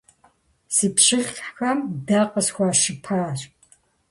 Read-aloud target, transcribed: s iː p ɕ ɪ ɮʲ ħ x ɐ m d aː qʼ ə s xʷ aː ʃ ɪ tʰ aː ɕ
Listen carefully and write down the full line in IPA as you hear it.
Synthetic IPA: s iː p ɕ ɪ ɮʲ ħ x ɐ m d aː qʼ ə s xʷ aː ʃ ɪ pʰ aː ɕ